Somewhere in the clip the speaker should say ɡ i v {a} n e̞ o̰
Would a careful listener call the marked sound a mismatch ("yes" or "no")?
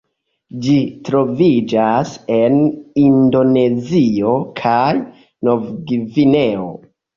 yes